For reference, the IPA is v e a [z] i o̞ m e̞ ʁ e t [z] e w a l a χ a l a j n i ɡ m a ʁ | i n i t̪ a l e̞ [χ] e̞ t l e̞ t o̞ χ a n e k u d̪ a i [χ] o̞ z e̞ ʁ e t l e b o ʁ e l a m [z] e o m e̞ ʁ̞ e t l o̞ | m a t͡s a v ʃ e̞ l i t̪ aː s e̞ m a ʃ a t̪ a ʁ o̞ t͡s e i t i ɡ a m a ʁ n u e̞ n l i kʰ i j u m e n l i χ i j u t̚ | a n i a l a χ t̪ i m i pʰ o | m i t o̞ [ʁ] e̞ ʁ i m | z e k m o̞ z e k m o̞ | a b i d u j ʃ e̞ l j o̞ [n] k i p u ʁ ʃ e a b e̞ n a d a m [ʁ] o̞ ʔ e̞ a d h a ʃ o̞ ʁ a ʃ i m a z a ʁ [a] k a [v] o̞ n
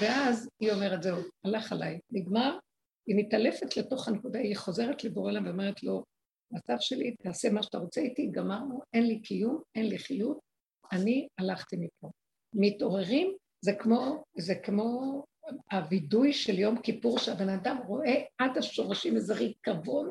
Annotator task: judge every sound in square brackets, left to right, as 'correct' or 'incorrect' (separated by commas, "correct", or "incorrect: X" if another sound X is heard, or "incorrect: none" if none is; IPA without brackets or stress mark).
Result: correct, correct, incorrect: f, correct, incorrect: v, correct, incorrect: m, correct, incorrect: i, correct